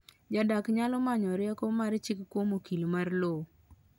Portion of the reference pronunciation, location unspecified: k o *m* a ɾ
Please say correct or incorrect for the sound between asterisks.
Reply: correct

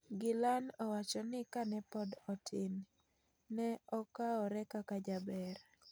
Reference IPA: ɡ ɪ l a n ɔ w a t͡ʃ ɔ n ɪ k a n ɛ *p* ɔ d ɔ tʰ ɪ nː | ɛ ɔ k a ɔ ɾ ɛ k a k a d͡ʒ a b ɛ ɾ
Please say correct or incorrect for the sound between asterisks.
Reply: correct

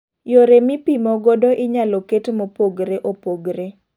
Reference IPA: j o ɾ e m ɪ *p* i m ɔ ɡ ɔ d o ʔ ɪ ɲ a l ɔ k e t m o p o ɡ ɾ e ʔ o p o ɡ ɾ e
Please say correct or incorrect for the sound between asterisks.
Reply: correct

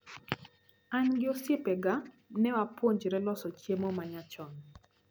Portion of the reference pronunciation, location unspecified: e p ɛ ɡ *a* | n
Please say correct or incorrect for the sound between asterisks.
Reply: correct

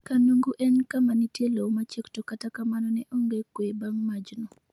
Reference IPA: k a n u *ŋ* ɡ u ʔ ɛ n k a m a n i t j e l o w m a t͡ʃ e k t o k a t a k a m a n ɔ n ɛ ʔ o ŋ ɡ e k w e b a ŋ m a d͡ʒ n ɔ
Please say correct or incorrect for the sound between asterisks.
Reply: correct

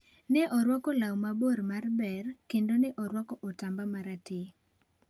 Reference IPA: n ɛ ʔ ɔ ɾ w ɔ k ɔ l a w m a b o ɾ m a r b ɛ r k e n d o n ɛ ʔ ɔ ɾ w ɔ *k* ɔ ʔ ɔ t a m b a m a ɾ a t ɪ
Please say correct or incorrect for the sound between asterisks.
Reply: correct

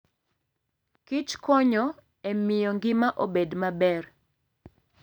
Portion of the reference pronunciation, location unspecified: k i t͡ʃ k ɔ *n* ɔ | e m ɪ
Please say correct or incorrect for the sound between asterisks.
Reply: incorrect: ɲ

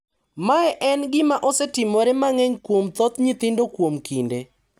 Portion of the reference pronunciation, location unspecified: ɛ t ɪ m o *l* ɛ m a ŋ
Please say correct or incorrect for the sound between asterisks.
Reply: incorrect: ɾ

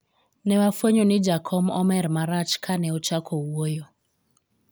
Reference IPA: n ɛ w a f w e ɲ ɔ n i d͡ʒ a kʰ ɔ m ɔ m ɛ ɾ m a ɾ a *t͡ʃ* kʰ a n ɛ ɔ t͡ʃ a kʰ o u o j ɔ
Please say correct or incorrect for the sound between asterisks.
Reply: correct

